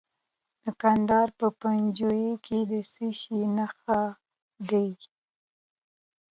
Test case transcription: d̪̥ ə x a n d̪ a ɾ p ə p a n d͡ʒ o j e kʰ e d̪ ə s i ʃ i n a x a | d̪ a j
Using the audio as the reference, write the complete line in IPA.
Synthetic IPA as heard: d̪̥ ə k a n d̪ ɑ ɾ p ə p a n d͡ʒ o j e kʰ e d̪ ə s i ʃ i n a x a | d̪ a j